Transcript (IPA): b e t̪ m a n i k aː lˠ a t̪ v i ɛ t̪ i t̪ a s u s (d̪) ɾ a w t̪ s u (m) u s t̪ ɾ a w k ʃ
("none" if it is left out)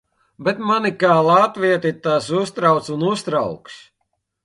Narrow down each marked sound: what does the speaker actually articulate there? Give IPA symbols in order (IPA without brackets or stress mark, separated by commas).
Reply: t̪, n